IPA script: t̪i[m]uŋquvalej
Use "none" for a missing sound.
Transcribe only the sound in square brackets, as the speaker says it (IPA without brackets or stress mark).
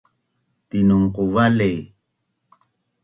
n